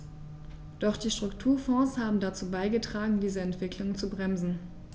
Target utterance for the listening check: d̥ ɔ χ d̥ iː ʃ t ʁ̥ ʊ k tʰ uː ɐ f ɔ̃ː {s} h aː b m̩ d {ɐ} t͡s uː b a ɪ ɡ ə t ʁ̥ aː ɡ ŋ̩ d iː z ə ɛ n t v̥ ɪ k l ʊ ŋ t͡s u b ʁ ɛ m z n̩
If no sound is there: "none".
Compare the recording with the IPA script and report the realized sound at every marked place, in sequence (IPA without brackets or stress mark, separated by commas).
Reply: s, a